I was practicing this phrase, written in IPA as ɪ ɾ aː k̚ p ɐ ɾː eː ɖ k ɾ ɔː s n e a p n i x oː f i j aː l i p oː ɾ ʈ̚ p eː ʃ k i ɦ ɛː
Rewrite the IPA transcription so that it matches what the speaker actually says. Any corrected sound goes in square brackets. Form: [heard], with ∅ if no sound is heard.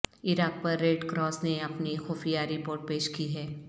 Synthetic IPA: ɪ ɾ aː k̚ p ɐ ɾː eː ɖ k ɾ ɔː s n e [ɐ] p n i x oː f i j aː [ɾ] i p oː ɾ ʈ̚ p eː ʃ k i ɦ ɛː